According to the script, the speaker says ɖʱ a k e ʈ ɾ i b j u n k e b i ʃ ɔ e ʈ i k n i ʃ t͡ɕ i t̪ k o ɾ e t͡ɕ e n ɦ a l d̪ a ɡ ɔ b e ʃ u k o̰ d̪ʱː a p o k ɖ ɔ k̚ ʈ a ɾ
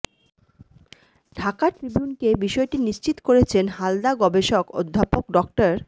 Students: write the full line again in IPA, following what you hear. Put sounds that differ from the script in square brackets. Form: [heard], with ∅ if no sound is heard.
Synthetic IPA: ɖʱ a k [a] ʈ ɾ i b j u n k e b i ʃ ɔ e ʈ i [∅] n i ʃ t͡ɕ i t̪ k o ɾ e [t͡ɕʰ] e n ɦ a l d̪ a ɡ ɔ b e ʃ [o] k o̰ d̪ʱː a p o k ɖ ɔ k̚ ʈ a ɾ